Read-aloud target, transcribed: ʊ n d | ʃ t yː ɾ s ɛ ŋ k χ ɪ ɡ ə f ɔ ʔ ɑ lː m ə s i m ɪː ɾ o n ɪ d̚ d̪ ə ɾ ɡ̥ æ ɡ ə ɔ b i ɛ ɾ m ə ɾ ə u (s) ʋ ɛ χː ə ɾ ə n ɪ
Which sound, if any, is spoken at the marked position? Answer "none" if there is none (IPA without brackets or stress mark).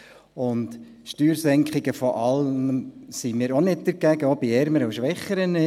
ʃ